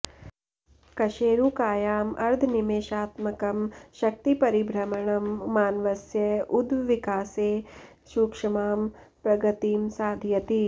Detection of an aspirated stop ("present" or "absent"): absent